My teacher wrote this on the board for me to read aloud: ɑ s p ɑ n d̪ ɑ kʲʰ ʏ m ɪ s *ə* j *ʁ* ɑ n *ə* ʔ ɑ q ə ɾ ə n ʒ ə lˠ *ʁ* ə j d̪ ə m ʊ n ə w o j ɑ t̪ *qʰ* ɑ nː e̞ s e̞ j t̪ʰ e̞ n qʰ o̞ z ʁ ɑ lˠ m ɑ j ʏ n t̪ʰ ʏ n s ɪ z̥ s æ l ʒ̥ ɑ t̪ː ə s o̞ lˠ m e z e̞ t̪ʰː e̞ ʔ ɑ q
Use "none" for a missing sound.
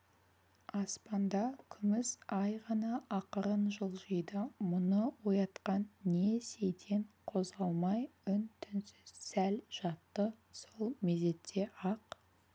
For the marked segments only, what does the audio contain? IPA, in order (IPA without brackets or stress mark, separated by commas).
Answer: ɑ, ʁ, ɑ, ʒ, q